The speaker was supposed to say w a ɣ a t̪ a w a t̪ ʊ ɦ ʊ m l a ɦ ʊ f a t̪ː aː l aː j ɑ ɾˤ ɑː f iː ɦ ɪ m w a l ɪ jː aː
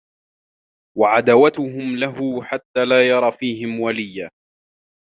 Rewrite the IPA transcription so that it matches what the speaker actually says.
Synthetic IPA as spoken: w a ʕ a d̪ a w a t̪ ʊ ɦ ʊ m l a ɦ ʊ ħ a t̪ː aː l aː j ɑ ɾˤ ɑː f iː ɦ ɪ m w a l ɪ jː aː